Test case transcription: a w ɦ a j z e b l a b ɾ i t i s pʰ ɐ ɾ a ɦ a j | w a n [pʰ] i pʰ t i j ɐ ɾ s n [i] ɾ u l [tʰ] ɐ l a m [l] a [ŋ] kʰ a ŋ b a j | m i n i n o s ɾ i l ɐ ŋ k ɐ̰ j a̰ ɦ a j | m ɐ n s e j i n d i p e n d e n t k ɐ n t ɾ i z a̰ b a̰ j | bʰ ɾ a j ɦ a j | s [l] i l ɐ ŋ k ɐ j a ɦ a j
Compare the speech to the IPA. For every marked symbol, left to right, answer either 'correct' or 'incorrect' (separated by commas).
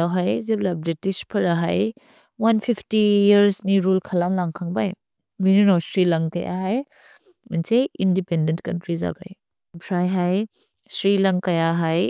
correct, correct, incorrect, correct, correct, incorrect